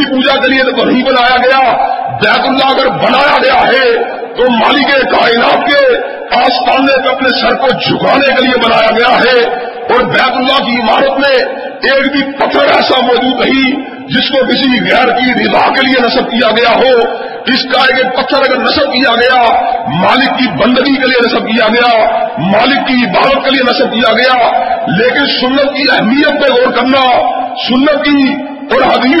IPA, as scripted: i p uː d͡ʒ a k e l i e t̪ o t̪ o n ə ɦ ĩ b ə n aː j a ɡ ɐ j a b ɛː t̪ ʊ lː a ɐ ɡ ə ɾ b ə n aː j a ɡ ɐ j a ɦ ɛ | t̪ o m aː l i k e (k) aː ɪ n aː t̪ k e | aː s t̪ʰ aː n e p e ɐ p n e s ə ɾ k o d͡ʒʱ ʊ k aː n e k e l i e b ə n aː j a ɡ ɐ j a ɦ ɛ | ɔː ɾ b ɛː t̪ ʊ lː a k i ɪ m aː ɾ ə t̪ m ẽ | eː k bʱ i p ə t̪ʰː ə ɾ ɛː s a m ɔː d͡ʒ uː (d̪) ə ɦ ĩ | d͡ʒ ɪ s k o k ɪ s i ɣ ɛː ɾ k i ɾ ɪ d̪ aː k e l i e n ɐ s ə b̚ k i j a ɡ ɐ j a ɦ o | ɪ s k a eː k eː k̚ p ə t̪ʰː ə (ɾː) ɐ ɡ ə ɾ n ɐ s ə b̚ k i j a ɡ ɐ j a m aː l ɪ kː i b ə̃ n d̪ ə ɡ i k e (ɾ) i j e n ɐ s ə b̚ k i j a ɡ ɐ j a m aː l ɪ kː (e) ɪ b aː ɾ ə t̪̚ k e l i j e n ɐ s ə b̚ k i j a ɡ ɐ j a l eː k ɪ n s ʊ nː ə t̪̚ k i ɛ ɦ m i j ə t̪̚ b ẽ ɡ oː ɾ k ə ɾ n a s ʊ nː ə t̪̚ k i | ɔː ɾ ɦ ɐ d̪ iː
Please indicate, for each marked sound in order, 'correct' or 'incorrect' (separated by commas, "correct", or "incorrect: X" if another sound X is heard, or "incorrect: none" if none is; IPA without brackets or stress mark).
correct, correct, incorrect: ɾ, incorrect: l, incorrect: i